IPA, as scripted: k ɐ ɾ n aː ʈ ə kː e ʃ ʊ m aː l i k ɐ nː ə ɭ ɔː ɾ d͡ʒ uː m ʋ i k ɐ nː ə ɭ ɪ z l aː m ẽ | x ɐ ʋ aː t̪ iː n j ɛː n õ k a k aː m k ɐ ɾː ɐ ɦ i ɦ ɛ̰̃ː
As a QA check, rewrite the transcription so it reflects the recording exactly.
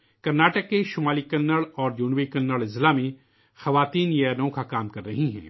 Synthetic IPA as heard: k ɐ ɾ n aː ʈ ə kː e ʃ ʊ m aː l i k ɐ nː ə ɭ ɔː ɾ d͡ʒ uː n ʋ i k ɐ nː ə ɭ ɪ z l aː m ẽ | x ɐ ʋ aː t̪ iː n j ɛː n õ k a k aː m k ɐ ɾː ɐ ɦ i ɦ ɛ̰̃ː